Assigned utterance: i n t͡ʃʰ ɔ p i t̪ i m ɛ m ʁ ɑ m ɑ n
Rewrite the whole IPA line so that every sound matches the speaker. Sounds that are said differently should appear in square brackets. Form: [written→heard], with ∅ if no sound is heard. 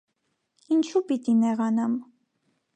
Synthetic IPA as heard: i n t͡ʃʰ [ɔ→u] p i t̪ i [m→n] ɛ [m→∅] ʁ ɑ [m→n] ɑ [n→m]